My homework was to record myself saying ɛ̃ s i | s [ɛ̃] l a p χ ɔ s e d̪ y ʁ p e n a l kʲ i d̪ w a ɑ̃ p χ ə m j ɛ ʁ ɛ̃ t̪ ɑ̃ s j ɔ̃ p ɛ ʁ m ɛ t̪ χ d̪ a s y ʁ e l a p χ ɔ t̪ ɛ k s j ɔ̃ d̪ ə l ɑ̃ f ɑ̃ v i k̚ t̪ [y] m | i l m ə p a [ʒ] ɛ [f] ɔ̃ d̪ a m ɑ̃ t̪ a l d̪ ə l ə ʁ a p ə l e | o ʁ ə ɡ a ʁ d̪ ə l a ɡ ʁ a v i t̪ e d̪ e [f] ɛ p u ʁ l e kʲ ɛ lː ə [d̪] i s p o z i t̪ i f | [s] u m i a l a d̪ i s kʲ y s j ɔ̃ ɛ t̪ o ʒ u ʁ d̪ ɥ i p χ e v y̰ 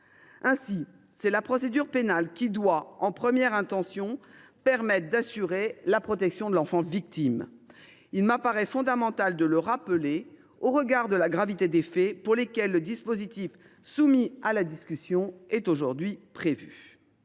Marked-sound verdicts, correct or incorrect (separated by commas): incorrect, incorrect, incorrect, correct, correct, correct, correct